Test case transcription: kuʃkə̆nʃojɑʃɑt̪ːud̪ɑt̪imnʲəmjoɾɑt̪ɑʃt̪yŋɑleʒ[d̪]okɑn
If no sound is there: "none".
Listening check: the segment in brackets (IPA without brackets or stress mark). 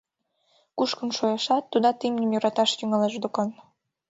d̪